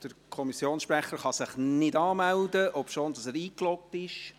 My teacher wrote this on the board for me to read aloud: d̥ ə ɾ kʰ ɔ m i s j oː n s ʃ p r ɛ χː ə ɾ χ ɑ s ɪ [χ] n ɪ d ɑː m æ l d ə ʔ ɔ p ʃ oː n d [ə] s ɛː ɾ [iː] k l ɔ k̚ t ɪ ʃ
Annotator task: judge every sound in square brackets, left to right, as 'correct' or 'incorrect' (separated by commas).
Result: correct, incorrect, correct